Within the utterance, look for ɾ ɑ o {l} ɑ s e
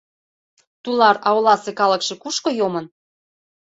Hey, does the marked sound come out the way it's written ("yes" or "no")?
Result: yes